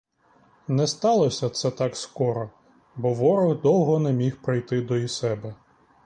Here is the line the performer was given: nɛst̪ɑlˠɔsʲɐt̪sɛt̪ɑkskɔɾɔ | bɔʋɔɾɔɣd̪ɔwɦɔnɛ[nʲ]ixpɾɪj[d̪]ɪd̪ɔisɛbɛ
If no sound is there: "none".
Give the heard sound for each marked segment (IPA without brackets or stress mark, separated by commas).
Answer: mʲ, t̪